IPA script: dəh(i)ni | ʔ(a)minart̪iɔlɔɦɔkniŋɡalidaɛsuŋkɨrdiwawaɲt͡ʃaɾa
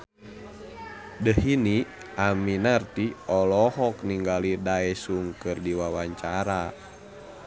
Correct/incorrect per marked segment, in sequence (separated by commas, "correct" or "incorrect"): correct, correct